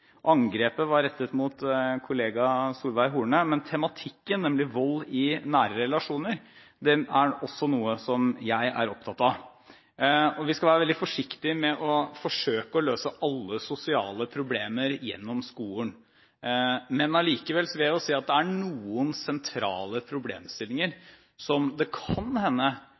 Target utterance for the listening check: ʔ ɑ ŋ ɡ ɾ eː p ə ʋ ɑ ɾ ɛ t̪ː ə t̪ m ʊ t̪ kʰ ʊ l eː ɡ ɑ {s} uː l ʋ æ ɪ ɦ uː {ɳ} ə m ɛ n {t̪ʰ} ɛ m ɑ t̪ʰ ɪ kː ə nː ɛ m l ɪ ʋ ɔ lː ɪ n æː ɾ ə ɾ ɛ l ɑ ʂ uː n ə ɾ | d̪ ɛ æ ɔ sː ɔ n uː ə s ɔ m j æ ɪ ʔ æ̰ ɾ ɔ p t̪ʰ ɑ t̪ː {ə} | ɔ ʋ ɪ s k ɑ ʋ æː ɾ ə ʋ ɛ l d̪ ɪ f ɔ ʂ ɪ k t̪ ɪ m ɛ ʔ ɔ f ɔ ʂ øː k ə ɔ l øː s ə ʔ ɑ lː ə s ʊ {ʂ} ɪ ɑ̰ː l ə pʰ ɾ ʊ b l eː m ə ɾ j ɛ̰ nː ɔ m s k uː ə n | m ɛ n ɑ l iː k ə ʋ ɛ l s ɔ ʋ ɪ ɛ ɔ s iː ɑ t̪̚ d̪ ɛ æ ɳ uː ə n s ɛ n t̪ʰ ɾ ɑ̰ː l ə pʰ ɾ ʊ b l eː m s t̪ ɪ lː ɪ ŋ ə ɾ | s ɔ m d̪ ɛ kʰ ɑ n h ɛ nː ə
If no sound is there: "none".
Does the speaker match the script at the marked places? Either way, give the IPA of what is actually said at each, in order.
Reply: s, ɳ, t̪ʰ, ɑ, s

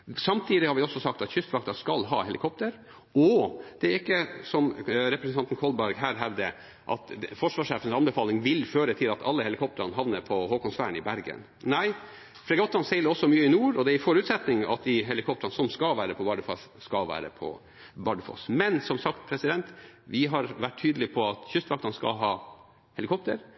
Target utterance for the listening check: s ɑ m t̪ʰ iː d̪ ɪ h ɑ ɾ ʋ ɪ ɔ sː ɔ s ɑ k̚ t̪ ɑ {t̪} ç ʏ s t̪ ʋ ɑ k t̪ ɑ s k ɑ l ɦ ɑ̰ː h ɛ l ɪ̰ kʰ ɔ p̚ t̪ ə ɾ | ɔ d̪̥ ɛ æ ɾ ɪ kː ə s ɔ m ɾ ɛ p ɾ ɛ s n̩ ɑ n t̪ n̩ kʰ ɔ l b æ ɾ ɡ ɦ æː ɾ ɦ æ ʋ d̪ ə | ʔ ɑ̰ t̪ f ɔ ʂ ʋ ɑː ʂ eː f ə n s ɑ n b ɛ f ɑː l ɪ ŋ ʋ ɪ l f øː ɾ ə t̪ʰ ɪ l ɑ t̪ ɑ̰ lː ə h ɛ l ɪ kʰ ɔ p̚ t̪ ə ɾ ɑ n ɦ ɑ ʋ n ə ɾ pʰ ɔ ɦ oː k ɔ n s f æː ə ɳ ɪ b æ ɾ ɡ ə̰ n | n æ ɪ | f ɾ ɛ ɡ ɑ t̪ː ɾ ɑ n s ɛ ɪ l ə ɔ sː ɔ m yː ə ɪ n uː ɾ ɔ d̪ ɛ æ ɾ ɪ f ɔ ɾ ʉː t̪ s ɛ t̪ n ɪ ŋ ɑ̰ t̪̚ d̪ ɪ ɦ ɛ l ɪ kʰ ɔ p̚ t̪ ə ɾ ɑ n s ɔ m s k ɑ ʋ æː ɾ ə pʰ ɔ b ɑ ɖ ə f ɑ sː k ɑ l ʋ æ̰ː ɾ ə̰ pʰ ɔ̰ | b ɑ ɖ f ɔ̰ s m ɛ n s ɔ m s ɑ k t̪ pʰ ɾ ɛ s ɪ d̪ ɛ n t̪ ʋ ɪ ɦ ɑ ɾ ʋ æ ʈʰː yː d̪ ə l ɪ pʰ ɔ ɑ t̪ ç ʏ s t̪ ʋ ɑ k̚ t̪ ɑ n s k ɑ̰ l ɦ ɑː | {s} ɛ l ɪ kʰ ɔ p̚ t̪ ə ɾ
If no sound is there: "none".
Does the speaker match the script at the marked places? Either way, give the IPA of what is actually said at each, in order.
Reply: t̪, h

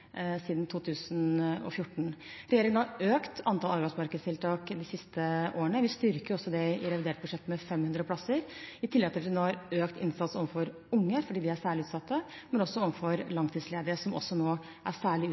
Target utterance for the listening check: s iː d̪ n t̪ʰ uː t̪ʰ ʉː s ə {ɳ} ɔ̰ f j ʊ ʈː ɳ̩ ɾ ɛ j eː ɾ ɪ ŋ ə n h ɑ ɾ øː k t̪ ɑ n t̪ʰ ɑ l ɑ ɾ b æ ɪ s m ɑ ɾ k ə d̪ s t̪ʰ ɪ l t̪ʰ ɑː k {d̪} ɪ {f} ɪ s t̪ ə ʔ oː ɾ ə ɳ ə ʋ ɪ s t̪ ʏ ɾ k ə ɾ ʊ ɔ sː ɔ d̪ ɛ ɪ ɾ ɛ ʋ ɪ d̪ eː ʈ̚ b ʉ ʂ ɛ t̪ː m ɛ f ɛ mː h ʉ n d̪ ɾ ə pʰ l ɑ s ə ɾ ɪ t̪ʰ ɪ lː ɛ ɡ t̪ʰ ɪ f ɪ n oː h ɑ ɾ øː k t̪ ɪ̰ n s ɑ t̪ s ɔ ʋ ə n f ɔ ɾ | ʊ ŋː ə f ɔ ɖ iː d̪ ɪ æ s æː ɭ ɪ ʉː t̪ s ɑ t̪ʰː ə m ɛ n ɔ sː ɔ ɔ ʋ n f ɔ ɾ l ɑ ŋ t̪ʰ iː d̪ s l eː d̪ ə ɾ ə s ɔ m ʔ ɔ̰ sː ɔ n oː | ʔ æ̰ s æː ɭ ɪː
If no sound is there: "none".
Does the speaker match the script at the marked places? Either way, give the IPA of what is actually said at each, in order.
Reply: n, d̪, s

